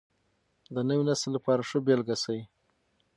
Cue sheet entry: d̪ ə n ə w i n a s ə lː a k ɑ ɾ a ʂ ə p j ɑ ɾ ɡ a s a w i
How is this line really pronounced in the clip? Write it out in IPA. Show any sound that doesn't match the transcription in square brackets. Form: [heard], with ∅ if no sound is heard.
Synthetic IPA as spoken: d̪ ə n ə w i n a s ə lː a [p] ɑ ɾ a ʂ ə [b] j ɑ [l] ɡ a s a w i